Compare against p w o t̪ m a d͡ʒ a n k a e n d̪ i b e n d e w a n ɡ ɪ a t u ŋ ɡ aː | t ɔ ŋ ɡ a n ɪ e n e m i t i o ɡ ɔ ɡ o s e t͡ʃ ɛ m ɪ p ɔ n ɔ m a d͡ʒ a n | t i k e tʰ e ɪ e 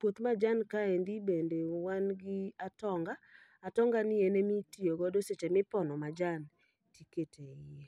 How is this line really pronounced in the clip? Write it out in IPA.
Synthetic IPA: p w o t̪ m a d͡ʒ a n k a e n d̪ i b e n d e w a n ɡ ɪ a t ɔ ŋ ɡ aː | t ɔ ŋ ɡ a n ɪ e n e m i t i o ɡ ɔ d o s e t͡ʃ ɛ m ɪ p ɔ n ɔ m a d͡ʒ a n | t i k e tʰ e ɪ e